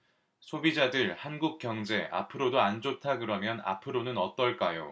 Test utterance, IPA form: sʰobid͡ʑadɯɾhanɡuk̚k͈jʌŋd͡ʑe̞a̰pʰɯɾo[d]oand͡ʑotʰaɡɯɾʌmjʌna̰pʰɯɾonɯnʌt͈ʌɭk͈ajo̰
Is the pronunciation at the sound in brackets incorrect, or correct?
correct